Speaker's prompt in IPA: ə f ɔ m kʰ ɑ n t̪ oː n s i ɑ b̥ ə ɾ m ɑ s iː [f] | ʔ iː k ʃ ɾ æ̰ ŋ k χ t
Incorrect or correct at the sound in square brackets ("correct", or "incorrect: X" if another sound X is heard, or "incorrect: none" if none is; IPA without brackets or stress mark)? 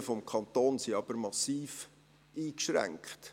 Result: correct